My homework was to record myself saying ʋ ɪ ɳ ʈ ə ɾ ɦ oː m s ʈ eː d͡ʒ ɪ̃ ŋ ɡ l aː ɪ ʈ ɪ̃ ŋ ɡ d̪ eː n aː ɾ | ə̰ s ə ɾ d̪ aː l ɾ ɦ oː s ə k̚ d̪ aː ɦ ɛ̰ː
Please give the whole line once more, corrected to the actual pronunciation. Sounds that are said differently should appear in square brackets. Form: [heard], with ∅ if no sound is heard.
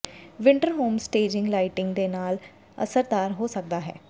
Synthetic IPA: ʋ ɪ ɳ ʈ ə ɾ ɦ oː m s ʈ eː d͡ʒ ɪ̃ ŋ ɡ l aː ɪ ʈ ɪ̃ ŋ ɡ d̪ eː n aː [l] | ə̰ s ə ɾ d̪ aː [∅] ɾ ɦ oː s ə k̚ d̪ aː ɦ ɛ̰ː